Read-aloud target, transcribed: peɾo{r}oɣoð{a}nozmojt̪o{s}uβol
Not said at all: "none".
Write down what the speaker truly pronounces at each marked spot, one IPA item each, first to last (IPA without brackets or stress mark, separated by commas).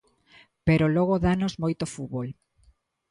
l, a, f